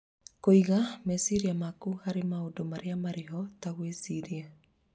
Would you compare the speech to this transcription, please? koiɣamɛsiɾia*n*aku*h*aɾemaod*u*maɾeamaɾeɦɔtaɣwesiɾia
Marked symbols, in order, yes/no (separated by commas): no, yes, no